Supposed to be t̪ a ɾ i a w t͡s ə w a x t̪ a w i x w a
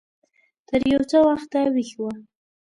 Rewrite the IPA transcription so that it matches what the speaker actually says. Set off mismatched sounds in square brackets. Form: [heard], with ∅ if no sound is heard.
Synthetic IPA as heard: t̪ [ə] ɾ [j] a w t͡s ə w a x t̪ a w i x w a